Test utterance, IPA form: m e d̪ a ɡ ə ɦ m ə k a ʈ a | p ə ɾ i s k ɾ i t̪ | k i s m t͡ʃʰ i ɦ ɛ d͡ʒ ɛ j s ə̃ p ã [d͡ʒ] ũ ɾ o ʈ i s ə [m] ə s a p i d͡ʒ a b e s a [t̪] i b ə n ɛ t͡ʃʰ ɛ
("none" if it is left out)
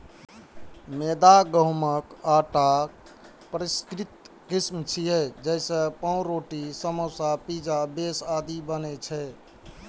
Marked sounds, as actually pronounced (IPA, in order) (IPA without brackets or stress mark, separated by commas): none, m, d̪